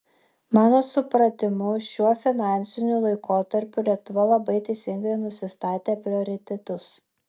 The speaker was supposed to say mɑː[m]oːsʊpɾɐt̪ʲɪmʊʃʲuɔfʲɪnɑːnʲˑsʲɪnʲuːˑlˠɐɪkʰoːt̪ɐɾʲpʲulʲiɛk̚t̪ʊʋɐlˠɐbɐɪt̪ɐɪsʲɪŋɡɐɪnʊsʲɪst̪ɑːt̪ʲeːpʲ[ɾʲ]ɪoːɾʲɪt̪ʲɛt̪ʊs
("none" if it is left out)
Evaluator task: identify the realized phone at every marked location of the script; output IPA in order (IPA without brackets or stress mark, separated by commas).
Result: n, ɾʲ